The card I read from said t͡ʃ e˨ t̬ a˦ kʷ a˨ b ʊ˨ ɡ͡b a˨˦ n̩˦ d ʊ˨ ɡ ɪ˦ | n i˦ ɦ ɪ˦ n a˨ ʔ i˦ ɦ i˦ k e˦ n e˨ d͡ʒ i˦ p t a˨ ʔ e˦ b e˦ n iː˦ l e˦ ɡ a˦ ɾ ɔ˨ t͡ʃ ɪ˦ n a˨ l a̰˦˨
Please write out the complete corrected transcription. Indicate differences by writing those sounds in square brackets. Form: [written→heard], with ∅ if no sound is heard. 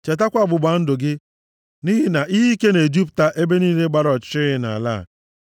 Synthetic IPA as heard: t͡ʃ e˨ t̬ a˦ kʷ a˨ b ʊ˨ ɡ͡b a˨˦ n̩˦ d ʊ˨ ɡ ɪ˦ | n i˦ ɦ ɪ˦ n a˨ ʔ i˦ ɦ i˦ k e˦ n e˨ d͡ʒ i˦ p t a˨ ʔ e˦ b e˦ n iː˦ l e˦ [ɡ→ɡ͡b] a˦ ɾ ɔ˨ t͡ʃ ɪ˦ n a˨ l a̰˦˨